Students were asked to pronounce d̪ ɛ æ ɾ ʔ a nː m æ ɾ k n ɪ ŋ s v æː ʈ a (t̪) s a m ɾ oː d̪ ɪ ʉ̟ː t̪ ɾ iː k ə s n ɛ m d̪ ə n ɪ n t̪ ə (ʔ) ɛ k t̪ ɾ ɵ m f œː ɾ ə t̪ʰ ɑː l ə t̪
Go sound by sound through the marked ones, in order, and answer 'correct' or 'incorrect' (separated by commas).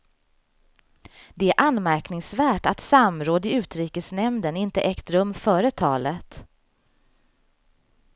correct, correct